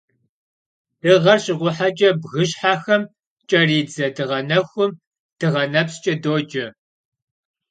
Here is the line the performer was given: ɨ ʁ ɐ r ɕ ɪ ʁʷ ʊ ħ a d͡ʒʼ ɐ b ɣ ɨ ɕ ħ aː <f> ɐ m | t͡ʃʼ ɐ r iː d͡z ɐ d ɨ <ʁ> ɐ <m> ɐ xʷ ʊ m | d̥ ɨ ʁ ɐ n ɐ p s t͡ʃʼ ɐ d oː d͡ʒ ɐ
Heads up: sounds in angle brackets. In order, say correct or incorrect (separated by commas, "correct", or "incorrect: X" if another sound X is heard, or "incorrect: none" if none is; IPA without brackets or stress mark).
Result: incorrect: x, correct, incorrect: n